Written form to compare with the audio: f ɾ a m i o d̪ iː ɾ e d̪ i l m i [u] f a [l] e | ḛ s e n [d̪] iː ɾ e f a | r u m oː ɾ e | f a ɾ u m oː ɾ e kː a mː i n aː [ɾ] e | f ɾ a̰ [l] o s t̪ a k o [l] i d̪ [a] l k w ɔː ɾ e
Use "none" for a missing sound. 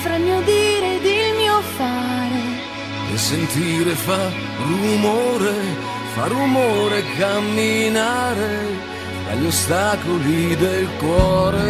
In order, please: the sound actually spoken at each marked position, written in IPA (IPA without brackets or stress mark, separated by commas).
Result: o, ɾ, t̪, ɾ, ʎ, l, e